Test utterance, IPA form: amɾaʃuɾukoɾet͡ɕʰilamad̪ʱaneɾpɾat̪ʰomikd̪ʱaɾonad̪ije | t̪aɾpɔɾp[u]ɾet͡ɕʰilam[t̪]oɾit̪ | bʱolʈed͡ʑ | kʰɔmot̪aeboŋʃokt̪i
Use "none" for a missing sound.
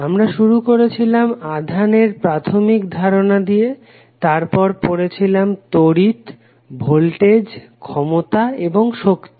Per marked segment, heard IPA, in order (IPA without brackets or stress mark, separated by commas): o, t̪